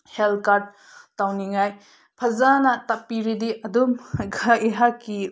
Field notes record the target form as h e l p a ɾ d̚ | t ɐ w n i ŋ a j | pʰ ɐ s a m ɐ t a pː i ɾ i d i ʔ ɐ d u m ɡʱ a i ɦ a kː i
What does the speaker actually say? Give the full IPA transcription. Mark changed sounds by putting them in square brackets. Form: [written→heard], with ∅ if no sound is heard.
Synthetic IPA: h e l [p→k] a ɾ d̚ | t [ɐ→a] w n i ŋ a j | pʰ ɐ [s→z] a [m→n] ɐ t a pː i ɾ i d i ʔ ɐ d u m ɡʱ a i ɦ a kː i